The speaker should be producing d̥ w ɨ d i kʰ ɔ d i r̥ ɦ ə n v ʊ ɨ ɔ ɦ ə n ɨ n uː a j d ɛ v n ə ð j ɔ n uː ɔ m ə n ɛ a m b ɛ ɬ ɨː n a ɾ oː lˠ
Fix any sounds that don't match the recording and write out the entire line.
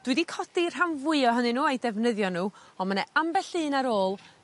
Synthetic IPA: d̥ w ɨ d i kʰ ɔ d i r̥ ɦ a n v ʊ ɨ ɔ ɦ ə n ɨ n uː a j d ɛ v n ə ð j ɔ n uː ɔ m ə n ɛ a m b ɛ ɬ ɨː n a ɾ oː lˠ